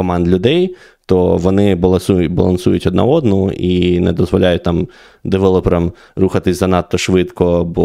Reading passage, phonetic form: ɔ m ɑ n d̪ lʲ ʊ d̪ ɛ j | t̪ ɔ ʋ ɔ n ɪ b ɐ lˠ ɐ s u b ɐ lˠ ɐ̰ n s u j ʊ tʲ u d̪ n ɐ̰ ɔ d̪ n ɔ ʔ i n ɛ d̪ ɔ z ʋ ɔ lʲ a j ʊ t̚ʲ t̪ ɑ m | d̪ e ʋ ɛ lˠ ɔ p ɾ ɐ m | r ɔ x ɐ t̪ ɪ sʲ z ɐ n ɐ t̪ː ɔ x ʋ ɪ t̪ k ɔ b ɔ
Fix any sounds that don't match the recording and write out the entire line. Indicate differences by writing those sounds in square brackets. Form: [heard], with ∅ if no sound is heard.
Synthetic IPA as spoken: ɔ m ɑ n d̪ lʲ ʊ d̪ ɛ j | t̪ ɔ ʋ ɔ n ɪ b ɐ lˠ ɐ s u b ɐ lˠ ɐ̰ n s u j ʊ tʲ [ɔ] d̪ n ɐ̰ ɔ d̪ n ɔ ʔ i n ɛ d̪ ɔ z ʋ ɔ lʲ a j ʊ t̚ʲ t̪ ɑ m | d̪ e ʋ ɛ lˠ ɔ p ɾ ɐ m | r [u] x ɐ t̪ ɪ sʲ z ɐ n [ɑ] t̪ː ɔ [ʃ] ʋ ɪ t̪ k ɔ b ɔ